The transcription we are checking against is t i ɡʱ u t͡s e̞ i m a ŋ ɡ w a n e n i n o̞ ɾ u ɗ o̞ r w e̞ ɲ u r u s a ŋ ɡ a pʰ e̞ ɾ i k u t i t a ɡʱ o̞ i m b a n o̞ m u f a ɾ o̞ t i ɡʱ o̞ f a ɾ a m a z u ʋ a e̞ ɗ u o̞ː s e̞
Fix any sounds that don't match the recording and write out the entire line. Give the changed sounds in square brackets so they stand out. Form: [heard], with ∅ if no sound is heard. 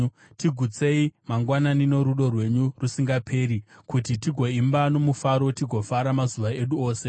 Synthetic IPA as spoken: t i ɡʱ u t͡s e̞ i m a ŋ ɡ w a n [a] n i n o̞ ɾ u ɗ o̞ r w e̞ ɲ u r u s [i] ŋ ɡ a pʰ e̞ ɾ i k u t i t [i] ɡʱ o̞ i m b a n o̞ m u f a ɾ o̞ t i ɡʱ o̞ f a ɾ a m a z u ʋ a e̞ ɗ u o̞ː s e̞